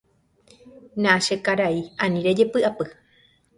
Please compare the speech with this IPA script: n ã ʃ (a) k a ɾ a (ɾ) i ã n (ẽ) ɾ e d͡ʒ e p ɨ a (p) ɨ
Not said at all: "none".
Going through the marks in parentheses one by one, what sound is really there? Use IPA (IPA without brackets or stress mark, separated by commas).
e, none, ĩ, p